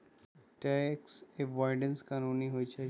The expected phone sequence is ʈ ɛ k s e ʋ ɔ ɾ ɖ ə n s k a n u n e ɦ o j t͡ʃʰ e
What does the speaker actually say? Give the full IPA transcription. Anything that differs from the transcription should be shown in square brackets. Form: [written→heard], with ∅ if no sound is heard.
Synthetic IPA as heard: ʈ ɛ k s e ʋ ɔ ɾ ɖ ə n s k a n u n [e→i] ɦ o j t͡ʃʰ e

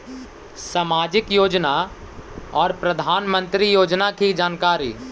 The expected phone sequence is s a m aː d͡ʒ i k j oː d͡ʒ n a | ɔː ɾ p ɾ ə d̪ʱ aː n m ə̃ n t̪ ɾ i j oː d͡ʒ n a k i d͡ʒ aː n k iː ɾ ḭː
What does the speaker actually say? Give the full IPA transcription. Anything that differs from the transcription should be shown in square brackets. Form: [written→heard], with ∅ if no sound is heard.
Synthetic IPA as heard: s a m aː d͡ʒ [i→ɪ] k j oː d͡ʒ n a | ɔː ɾ p ɾ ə d̪ʱ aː n m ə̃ n t̪ ɾ i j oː d͡ʒ n a k i d͡ʒ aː n k [iː→aː] ɾ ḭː

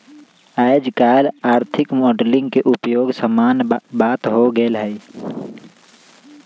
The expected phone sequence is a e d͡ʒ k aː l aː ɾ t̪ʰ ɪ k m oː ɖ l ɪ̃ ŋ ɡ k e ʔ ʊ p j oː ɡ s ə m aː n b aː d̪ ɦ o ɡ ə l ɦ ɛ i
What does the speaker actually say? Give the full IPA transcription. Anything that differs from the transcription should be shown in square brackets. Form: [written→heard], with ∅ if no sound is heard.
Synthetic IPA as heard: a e d͡ʒ k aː l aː ɾ t̪ʰ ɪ k m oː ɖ l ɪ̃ ŋ ɡ k e ʔ ʊ p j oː ɡ s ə m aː n b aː [d̪→t̪] ɦ o ɡ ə l ɦ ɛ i

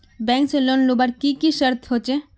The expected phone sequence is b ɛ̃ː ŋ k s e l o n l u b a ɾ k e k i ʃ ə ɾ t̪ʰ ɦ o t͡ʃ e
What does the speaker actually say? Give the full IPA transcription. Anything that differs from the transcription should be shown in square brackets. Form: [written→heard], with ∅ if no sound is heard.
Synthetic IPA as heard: b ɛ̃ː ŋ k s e l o n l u b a ɾ k [e→i] k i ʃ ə ɾ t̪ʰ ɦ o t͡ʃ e

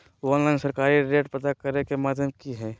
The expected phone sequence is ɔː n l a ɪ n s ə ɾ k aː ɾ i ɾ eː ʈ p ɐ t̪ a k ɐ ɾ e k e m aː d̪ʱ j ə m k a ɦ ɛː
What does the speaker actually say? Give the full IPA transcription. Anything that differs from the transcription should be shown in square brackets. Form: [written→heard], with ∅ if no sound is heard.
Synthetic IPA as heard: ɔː n l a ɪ n s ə ɾ k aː ɾ i ɾ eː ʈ p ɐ t̪ a k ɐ ɾ e k e m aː d̪ʱ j ə m k [a→i] ɦ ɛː

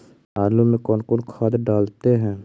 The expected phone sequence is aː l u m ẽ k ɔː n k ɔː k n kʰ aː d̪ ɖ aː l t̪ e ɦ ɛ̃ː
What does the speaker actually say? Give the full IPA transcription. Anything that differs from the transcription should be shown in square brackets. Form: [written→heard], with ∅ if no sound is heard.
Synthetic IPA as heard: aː l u m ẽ k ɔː n k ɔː [k→∅] n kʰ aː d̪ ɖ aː l t̪ e ɦ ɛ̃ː

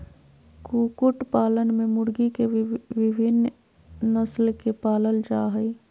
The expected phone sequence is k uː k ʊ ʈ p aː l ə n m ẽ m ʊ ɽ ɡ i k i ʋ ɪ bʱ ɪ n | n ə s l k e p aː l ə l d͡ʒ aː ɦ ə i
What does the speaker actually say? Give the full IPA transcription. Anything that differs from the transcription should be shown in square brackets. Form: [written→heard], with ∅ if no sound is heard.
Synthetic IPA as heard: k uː k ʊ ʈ p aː l ə n m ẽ m ʊ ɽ ɡ i k [i→e] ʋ ɪ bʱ ɪ n | n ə s l k e p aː l ə l d͡ʒ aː ɦ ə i

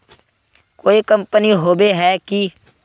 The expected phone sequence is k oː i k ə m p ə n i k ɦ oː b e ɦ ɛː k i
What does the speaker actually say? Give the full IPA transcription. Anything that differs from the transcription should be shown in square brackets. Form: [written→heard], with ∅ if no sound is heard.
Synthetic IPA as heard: k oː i k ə m p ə n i [k→∅] ɦ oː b e ɦ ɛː k i

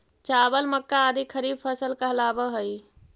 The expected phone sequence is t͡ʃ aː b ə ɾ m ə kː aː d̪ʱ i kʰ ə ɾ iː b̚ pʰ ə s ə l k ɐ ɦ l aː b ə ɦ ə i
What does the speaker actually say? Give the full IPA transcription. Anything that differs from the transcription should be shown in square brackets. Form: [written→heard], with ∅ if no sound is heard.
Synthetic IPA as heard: t͡ʃ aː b ə [ɾ→l] m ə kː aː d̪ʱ i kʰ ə ɾ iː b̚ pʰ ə s ə l k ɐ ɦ l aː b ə ɦ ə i

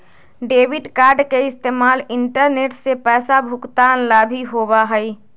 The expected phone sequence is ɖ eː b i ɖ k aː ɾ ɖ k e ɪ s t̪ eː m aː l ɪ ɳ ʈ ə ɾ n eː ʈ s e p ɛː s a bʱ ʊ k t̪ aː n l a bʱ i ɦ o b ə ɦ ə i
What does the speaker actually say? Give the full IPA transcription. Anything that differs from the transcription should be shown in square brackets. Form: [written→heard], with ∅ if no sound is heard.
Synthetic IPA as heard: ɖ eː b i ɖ k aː ɾ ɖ k e ɪ s t̪ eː m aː l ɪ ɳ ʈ ə ɾ n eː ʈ s e p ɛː s a bʱ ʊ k t̪ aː n l a bʱ i ɦ o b [ə→a] ɦ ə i

